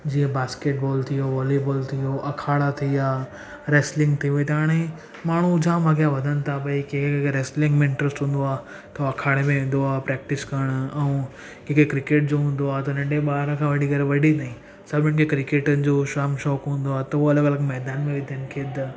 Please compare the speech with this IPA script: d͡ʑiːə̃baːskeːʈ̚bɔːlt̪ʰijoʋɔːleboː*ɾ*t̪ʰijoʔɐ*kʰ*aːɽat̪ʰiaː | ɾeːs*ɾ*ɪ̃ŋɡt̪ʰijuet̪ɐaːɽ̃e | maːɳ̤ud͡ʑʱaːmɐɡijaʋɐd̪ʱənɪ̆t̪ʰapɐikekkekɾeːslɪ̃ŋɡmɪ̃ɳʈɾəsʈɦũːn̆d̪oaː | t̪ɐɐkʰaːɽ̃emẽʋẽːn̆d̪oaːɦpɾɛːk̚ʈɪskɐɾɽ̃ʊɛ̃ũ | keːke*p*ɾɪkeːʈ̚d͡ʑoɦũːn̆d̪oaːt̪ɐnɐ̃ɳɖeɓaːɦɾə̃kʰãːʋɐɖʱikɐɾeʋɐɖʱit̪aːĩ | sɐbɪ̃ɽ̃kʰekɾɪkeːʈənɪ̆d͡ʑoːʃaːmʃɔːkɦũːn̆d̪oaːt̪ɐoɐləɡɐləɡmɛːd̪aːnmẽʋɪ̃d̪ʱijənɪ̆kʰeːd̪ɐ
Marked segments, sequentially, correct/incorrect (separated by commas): incorrect, correct, incorrect, incorrect